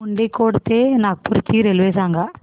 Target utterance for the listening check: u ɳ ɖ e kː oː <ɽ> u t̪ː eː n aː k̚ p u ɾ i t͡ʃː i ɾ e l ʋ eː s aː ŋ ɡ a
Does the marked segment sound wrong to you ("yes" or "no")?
no